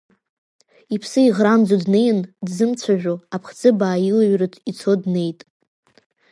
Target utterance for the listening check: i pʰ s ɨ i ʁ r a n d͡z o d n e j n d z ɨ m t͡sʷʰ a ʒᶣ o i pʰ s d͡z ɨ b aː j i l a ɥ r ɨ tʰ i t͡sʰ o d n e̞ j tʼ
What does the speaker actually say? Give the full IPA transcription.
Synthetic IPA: i pʰ s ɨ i ʁ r a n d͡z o d n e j n d z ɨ m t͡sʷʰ a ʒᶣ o a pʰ χ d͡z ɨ b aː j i l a ɥ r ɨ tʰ i t͡sʰ o d n e̞ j tʼ